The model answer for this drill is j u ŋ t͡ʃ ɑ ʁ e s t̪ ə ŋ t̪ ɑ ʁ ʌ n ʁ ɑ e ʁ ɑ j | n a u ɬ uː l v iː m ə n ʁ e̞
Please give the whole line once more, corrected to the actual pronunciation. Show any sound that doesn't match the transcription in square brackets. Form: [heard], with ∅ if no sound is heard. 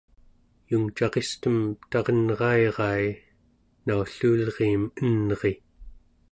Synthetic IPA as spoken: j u ŋ t͡ʃ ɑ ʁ e s t̪ ə [m] t̪ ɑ ʁ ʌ n ʁ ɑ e ʁ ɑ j | n a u ɬ uː l [ʁ] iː m ə n ʁ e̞